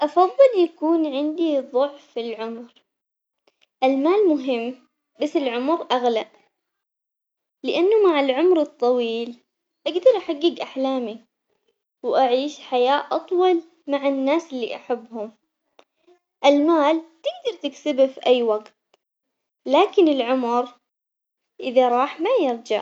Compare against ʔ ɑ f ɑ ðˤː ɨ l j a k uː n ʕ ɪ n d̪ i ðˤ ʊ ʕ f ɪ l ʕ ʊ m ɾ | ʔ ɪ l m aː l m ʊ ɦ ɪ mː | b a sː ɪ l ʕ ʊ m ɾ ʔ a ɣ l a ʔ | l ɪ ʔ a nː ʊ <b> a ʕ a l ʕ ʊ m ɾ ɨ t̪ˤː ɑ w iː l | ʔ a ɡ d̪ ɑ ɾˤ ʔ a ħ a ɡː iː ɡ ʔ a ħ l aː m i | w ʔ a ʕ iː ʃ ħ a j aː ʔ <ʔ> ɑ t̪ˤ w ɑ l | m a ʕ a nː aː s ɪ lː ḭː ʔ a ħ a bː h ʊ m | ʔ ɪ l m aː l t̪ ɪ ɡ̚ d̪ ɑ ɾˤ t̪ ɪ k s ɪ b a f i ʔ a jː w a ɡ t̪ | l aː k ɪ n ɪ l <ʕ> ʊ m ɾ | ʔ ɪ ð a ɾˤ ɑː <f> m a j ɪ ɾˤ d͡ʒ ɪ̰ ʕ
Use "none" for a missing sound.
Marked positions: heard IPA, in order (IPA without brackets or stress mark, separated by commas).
m, ʔ, ʕ, ħ